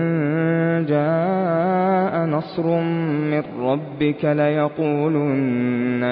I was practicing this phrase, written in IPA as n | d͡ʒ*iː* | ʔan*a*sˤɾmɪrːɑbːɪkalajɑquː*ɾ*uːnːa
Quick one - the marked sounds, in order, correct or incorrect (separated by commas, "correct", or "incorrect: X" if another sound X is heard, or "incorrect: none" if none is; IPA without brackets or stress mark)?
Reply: incorrect: aː, incorrect: ɑ, incorrect: l